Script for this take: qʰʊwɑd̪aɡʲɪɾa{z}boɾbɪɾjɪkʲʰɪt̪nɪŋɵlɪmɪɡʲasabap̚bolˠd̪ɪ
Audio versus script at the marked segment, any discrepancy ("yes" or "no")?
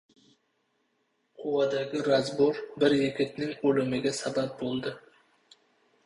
no